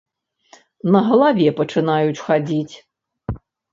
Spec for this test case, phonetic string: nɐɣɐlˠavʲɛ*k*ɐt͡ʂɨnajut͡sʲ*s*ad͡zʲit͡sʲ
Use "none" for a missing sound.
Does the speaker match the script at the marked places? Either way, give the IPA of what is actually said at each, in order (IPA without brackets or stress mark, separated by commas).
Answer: p, x